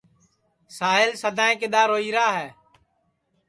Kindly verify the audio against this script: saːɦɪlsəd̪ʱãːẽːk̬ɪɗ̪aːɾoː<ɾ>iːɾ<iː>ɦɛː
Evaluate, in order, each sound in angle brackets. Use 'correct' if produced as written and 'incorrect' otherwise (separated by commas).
incorrect, incorrect